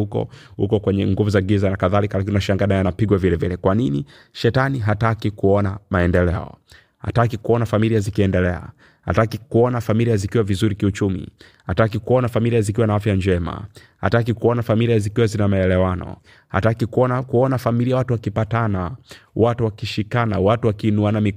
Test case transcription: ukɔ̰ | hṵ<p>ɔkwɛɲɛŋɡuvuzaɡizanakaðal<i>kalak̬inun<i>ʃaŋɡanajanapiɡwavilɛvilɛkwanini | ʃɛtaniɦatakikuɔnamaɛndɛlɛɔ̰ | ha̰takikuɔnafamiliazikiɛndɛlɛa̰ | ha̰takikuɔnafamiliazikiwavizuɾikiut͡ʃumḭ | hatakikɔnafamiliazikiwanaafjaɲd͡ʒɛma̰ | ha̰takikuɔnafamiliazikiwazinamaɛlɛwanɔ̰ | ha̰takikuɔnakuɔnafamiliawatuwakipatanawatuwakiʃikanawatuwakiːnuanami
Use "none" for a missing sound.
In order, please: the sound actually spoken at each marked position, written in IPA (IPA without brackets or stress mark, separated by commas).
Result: k, i, a